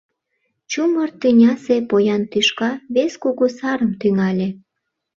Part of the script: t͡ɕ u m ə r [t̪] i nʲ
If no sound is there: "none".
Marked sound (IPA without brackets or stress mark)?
t̪